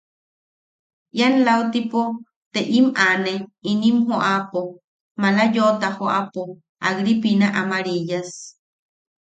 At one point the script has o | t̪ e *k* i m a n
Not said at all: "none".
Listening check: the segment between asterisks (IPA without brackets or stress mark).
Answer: ʔ